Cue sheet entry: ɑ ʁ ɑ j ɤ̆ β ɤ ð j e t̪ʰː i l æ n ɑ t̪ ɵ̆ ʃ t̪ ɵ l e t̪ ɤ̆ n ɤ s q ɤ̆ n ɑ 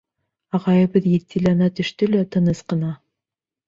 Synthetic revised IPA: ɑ ʁ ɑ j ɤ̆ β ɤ ð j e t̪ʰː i l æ n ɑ t̪ ɵ̆ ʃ t̪ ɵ l æ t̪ ɤ̆ n ɤ s q ɤ̆ n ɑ